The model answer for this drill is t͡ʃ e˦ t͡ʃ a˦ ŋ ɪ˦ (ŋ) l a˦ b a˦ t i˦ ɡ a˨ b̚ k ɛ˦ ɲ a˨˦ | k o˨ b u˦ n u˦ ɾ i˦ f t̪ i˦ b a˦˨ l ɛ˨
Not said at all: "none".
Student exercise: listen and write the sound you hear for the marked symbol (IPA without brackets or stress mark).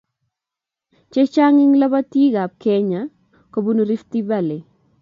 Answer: ŋ